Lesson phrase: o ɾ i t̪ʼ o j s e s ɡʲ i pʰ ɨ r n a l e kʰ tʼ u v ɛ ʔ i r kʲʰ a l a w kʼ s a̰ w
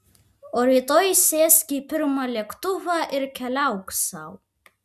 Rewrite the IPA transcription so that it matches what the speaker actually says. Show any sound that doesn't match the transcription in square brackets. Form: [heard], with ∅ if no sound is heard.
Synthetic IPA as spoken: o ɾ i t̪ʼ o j s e s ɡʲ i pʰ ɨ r [m] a l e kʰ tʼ u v [a] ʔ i r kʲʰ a l a w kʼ s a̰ w